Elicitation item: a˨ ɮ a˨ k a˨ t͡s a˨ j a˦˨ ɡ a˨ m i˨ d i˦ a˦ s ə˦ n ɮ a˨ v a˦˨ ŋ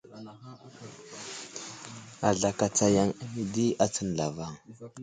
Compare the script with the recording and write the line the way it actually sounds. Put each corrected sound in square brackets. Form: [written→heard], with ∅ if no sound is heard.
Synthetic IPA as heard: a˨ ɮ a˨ k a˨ t͡s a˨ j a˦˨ [ɡ→ŋ] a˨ m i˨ d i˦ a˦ [s→t͡s] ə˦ n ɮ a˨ v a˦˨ ŋ